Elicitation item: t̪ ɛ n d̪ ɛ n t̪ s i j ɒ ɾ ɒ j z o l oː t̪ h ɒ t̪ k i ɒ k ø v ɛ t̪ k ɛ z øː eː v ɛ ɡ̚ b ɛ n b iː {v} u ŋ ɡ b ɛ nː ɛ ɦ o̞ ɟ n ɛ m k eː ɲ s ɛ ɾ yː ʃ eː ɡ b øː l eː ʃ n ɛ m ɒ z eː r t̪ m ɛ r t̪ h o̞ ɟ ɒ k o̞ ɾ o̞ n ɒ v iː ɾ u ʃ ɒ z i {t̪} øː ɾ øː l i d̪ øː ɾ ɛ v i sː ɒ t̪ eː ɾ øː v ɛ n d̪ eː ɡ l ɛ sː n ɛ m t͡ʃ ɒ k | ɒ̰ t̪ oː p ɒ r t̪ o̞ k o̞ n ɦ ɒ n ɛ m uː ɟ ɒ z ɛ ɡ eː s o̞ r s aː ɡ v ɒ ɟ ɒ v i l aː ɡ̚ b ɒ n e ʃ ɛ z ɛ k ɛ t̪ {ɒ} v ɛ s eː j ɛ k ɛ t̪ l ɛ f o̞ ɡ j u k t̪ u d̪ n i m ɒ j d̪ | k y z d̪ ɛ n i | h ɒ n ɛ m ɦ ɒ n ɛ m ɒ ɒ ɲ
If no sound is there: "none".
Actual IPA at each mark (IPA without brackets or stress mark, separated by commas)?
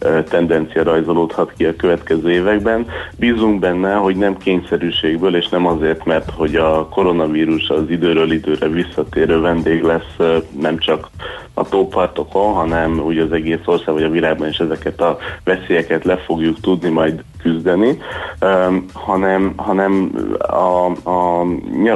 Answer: z, d̪, ɒ